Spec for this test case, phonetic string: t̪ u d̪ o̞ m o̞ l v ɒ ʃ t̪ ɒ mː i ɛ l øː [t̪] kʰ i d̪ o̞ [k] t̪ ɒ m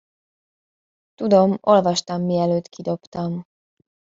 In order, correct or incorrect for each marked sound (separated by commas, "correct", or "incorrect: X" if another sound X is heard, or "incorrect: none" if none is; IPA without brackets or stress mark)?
correct, incorrect: p